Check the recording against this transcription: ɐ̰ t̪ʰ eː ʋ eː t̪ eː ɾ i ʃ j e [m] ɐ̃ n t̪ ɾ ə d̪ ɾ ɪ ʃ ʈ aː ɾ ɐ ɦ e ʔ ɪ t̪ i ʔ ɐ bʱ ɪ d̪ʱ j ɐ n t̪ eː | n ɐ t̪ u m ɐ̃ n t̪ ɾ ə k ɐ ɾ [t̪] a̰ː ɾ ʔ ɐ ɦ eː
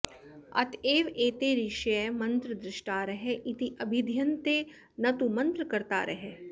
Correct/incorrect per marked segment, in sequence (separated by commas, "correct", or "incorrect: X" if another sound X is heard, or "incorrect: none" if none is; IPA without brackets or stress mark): correct, correct